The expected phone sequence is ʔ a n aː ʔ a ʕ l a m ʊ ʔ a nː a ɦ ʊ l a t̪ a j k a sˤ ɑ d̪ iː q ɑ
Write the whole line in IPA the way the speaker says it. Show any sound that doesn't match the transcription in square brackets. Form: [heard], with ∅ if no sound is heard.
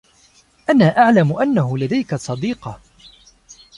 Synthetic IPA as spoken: ʔ a n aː ʔ a ʕ l a m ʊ ʔ a nː a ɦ ʊ l a [d̪] a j k a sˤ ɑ d̪ iː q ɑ